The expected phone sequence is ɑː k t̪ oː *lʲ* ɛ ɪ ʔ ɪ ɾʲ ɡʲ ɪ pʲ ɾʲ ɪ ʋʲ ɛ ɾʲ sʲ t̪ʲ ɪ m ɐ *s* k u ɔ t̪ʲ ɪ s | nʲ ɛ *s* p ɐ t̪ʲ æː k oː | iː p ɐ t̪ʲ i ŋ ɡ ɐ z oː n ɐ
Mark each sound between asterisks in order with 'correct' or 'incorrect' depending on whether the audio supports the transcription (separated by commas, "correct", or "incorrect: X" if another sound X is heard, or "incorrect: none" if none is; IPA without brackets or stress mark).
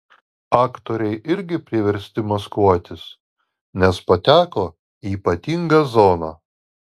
incorrect: ɾʲ, correct, correct